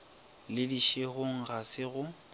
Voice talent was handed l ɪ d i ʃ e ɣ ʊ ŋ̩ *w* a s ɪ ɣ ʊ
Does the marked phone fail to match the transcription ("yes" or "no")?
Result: yes